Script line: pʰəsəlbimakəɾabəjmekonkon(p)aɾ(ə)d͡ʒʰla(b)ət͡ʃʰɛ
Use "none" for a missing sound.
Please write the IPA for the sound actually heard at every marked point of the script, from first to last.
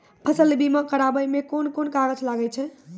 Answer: k, ə, ɡ

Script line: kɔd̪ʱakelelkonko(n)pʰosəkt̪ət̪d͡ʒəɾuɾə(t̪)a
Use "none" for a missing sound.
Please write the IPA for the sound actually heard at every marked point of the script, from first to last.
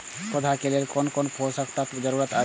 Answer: n, t̪

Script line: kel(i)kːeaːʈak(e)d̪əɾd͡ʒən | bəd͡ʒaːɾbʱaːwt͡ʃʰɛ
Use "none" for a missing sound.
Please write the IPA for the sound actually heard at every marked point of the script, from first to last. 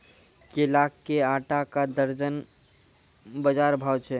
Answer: a, a

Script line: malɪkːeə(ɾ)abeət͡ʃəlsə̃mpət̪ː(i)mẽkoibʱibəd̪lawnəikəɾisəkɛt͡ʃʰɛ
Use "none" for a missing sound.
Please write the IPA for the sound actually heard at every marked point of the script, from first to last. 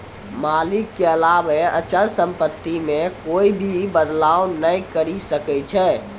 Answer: l, i

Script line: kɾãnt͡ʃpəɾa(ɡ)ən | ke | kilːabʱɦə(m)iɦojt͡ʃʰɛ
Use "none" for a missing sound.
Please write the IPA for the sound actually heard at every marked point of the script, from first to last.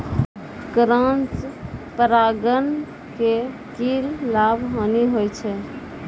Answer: ɡ, n

